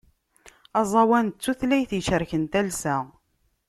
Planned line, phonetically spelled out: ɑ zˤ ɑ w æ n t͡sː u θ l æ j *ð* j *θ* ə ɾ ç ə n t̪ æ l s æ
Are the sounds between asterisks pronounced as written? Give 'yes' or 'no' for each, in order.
no, no

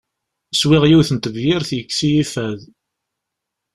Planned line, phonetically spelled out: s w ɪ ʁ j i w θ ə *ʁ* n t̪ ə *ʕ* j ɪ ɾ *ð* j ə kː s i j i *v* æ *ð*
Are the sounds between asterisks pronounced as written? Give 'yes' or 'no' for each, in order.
no, no, no, no, yes

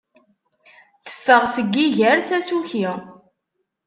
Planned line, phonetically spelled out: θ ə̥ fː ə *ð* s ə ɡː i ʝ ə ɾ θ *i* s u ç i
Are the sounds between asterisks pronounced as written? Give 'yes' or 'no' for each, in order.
no, no

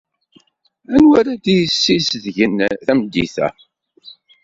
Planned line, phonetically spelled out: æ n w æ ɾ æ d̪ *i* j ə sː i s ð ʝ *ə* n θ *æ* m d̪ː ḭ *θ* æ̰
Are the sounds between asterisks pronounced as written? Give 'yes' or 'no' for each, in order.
yes, yes, yes, yes

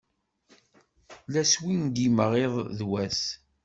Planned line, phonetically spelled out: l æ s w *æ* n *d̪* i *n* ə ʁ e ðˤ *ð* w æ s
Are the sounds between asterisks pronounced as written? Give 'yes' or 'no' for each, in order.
no, yes, no, yes

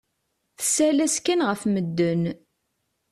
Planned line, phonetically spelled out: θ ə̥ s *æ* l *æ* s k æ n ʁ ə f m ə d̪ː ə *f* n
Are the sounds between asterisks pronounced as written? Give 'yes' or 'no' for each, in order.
yes, yes, no

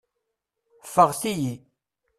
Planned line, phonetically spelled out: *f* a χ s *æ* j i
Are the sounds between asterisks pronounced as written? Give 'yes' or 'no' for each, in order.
yes, no

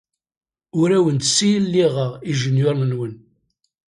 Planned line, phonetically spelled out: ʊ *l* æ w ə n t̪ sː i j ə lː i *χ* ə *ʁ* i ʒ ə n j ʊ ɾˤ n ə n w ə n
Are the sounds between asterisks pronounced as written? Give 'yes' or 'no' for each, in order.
no, no, yes

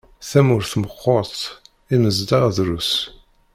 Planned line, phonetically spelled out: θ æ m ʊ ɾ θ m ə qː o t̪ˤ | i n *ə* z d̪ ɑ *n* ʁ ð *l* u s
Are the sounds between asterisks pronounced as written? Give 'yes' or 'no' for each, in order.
yes, no, no

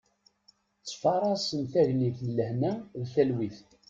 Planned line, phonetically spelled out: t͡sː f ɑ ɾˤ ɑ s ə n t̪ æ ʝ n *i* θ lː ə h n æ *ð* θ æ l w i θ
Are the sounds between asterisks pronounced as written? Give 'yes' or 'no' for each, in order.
yes, yes

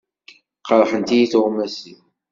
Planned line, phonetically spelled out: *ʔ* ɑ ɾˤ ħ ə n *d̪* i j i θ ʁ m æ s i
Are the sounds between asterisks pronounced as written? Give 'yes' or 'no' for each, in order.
no, no

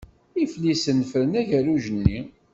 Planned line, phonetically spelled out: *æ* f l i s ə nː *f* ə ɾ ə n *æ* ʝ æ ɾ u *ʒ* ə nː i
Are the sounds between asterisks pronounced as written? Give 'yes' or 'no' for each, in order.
no, yes, yes, yes

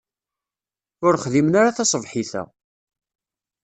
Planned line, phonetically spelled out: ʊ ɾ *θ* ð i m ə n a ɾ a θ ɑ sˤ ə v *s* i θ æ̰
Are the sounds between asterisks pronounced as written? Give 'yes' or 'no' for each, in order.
no, no

